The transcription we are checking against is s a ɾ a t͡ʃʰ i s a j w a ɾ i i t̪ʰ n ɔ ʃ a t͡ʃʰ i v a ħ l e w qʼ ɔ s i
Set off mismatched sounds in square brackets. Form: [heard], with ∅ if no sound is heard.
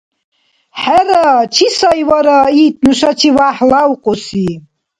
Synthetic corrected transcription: [ħ] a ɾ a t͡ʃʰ i s a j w a ɾ [a] i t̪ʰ n [u] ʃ a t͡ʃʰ i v a ħ l [a] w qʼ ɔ s i